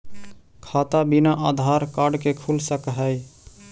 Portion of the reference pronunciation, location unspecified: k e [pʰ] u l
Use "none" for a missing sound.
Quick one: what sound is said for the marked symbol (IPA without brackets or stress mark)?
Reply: kʰ